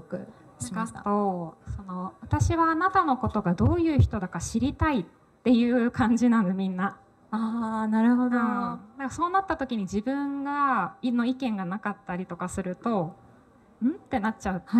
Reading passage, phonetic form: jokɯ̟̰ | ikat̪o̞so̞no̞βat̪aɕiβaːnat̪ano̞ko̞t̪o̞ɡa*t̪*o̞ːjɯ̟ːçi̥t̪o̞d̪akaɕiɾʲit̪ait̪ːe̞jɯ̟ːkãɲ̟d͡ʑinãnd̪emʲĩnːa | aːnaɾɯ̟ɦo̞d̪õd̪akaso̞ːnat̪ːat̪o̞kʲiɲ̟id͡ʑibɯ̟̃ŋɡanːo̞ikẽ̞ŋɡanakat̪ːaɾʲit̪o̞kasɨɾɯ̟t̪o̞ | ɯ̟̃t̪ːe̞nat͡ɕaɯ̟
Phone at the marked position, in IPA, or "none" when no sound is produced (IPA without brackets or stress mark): d̪